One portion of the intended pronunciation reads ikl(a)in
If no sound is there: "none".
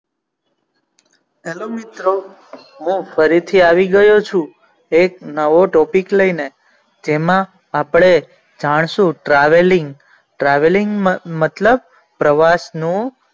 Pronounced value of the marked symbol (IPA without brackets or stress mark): ə